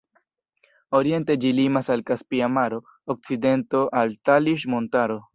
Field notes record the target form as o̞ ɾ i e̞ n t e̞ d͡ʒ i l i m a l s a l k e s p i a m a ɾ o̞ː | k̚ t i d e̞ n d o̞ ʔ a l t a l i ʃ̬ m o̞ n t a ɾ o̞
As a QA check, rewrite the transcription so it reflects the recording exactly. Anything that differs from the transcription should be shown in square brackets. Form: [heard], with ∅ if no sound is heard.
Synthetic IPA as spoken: o̞ ɾ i e̞ n t e̞ d͡ʒ i l i m a [∅] s a l k [a] s p i a m a ɾ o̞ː | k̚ [t͡s] i d e̞ n [t] o̞ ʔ a l t a l i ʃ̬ m o̞ n t a ɾ o̞